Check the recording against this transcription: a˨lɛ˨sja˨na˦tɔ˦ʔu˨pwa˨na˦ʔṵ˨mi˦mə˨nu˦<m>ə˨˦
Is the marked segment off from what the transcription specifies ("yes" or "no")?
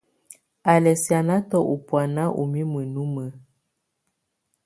no